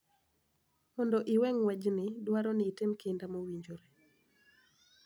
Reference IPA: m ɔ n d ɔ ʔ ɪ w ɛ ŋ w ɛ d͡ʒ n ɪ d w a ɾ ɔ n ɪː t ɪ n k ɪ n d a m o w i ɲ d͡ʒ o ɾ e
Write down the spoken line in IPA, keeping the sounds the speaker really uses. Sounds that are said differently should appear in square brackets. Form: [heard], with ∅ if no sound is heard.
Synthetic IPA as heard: m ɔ n d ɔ ʔ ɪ w ɛ ŋ w ɛ d͡ʒ n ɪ d w a ɾ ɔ n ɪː t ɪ [m] k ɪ n d a m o w i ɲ d͡ʒ o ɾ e